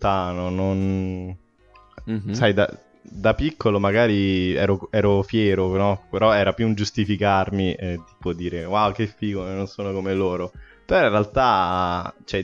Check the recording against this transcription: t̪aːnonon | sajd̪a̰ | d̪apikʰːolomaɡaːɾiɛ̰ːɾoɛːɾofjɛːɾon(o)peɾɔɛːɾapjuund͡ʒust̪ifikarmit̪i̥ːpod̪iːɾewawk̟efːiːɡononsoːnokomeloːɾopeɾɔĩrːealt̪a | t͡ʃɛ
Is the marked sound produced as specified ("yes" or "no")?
no